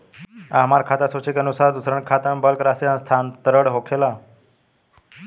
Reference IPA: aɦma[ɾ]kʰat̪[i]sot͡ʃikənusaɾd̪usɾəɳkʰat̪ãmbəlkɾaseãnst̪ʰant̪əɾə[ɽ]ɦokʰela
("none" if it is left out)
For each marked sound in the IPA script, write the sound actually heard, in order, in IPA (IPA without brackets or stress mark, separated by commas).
ɾ, a, ɽ